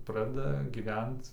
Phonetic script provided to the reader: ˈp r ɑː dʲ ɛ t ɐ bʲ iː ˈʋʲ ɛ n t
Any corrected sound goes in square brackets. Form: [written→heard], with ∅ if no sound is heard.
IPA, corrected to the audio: ˈp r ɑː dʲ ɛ [t→d] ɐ [bʲ→ɡʲ] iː ˈʋʲ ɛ n t